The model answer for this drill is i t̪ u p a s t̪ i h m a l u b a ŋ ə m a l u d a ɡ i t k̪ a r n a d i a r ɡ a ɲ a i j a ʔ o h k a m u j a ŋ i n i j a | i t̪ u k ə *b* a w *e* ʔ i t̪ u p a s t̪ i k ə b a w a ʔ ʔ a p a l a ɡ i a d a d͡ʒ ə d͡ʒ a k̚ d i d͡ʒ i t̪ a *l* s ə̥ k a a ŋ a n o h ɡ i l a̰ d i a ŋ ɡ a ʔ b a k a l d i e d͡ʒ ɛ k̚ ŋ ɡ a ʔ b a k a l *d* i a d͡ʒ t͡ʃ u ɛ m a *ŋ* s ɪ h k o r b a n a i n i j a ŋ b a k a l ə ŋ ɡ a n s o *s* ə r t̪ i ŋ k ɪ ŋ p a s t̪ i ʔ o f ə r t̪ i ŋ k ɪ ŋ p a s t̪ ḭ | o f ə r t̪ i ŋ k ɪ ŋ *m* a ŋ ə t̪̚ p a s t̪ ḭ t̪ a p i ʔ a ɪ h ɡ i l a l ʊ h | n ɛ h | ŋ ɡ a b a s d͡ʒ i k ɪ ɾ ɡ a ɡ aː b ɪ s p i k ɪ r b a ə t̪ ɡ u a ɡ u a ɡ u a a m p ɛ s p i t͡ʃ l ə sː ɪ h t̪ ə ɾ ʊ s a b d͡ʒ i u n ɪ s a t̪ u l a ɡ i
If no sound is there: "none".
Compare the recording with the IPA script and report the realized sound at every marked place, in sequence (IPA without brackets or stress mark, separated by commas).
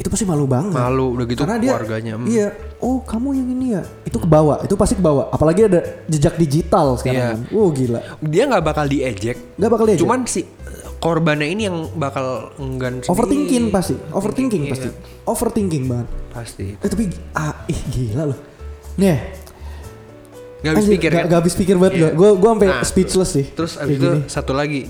b, a, l, d, n, f, b